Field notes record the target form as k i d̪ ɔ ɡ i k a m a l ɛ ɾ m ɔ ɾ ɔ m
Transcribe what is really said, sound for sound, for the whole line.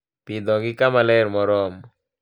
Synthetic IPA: p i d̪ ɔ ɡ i k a m a l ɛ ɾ m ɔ ɾ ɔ m